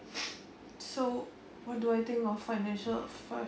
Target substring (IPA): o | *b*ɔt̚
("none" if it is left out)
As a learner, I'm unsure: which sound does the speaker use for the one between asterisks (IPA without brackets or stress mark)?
w